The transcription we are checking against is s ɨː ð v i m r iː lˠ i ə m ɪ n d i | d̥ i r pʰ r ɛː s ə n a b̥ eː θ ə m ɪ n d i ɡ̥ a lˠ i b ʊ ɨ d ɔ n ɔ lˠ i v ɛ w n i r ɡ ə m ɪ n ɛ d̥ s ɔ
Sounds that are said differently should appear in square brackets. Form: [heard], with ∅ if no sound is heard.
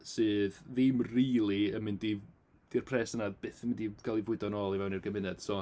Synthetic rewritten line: s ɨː ð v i m r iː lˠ i ə m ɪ n d i | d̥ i r pʰ r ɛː s ə n a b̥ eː θ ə m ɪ n d i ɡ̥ a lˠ i [v] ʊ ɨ d ɔ n ɔ lˠ i v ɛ w n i r ɡ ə m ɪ n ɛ d̥ s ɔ